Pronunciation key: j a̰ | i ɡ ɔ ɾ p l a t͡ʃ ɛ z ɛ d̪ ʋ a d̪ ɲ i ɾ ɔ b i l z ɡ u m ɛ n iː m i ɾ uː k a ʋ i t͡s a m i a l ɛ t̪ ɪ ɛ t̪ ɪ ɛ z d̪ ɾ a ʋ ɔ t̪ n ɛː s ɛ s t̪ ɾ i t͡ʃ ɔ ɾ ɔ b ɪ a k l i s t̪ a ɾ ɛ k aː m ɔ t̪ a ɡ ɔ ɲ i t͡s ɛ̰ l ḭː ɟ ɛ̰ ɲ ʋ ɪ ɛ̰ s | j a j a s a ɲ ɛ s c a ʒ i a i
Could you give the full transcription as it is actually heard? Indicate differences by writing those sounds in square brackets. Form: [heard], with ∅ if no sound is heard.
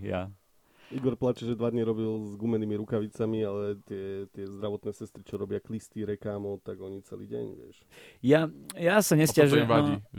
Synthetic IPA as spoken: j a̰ | i ɡ ɔ ɾ p l a t͡ʃ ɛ [ʒ] ɛ d̪ ʋ a d̪ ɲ i ɾ ɔ b i l z ɡ u m ɛ n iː m i ɾ [u] k a ʋ i t͡s a m i a l ɛ t̪ ɪ ɛ t̪ ɪ ɛ z d̪ ɾ a ʋ ɔ t̪ n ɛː s ɛ s t̪ ɾ i t͡ʃ ɔ ɾ ɔ b ɪ a k l i s t̪ [i] ɾ ɛ k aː m ɔ t̪ a ɡ ɔ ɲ i t͡s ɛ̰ l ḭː ɟ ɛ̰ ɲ ʋ ɪ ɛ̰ [ʃ] | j a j a s a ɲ ɛ s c a ʒ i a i